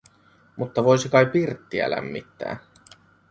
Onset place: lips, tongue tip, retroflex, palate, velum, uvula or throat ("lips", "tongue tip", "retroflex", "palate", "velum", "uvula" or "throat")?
lips